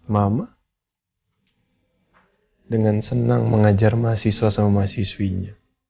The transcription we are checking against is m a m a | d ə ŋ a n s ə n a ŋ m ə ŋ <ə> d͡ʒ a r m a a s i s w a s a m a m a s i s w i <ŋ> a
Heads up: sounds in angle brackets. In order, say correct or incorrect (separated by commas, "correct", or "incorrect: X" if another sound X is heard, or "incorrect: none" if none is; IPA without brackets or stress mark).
incorrect: a, incorrect: ɲ